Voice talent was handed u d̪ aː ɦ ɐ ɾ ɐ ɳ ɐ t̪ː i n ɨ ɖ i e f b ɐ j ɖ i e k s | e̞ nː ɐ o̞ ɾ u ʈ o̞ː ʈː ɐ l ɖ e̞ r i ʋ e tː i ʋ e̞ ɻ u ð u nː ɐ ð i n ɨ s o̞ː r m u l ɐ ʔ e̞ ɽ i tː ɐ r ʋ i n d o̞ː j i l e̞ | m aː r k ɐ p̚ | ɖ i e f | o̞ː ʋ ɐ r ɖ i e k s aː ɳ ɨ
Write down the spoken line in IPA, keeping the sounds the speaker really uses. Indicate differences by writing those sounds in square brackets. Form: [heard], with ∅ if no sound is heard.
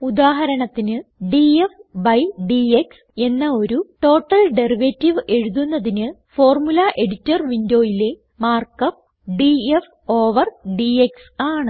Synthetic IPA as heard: u d̪ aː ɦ ɐ ɾ ɐ ɳ ɐ t̪ː i n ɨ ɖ i e f b ɐ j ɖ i e k s | e̞ nː ɐ o̞ ɾ u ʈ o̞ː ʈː ɐ l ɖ e̞ r i ʋ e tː i ʋ e̞ ɻ u ð u nː ɐ ð i n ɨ [f] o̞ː r m u l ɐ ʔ e̞ ɽ i tː ɐ r ʋ i n d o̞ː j i l e̞ | m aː r k ɐ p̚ | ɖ i e f | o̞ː ʋ ɐ r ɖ i e k s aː ɳ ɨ